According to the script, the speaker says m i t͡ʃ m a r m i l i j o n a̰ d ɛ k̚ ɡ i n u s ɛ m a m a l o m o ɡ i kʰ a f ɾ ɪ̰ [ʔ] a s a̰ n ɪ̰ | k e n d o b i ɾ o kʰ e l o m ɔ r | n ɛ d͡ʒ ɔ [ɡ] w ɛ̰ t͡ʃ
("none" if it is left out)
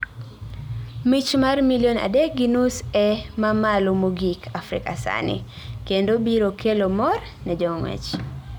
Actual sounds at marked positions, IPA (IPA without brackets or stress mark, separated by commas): k, ŋ